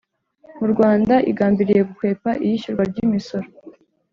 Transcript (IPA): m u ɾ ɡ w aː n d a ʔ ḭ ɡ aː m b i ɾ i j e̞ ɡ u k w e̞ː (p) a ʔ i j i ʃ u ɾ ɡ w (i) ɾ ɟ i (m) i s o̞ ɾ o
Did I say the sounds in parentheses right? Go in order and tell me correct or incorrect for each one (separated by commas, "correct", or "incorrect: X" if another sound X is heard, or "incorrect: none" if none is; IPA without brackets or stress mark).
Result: correct, incorrect: a, correct